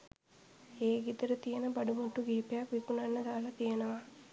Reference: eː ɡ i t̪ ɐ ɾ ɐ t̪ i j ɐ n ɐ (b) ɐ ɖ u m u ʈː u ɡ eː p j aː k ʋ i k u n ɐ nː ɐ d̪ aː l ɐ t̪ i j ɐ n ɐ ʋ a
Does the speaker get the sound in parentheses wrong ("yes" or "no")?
no